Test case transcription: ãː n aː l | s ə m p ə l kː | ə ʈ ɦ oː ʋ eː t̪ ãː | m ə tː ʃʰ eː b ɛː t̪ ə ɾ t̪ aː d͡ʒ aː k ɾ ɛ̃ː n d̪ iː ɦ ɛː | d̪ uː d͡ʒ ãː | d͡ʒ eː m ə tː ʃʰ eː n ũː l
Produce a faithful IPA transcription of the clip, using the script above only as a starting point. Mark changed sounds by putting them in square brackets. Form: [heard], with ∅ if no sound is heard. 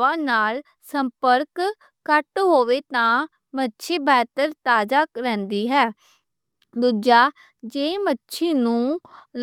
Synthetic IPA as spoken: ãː n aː l | s ə m p ə [ɾ] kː | ə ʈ ɦ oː ʋ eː t̪ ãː | m ə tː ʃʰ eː b ɛː t̪ ə ɾ t̪ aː d͡ʒ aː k ɾ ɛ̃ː n d̪ iː ɦ ɛː | d̪ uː d͡ʒ [aː] | d͡ʒ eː m ə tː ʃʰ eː n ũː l